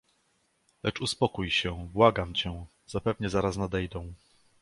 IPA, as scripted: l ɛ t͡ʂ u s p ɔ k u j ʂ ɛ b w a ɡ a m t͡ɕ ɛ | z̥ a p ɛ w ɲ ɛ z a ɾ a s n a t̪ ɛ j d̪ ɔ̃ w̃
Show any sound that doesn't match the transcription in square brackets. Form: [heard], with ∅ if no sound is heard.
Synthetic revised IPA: l ɛ t͡ʂ u s p ɔ k u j [ɕ] ɛ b w a ɡ a m t͡ɕ ɛ | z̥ a p ɛ [v] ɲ ɛ z a ɾ a s n a [d̪] ɛ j d̪ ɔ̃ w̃